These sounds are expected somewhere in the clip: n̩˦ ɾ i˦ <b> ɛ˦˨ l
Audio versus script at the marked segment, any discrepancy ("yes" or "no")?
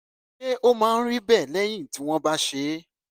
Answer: no